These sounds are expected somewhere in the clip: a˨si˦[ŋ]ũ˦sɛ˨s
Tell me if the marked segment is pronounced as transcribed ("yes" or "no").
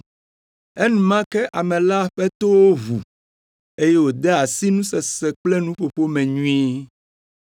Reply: no